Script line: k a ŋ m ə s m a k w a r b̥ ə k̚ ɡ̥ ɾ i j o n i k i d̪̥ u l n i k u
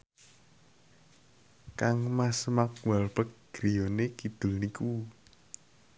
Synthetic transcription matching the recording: k a ŋ m a s m a k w a l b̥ ə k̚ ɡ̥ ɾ i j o n e k i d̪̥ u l n i k u